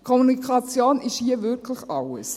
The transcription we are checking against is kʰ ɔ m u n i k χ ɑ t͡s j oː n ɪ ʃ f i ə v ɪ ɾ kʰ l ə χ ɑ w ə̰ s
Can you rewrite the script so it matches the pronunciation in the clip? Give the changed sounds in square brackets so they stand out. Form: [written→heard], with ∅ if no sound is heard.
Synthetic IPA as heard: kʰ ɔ m u n i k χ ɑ t͡s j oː n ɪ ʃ [f→h] i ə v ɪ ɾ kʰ l ə χ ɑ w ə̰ s